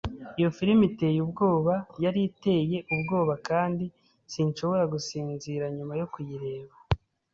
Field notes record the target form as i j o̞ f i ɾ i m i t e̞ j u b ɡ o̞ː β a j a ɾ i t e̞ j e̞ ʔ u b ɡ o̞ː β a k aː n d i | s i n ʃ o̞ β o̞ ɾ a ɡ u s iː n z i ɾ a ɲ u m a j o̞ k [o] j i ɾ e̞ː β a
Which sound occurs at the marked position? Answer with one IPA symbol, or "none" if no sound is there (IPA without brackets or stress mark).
u